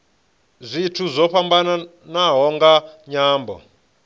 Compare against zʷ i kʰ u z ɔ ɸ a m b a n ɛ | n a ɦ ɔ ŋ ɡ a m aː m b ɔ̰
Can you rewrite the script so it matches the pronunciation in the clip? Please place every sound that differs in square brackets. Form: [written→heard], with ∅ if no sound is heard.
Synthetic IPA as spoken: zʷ i [kʰ→tʰ] u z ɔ ɸ a m b a n [ɛ→a] | n a ɦ ɔ ŋ ɡ a [m→ɲ] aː m b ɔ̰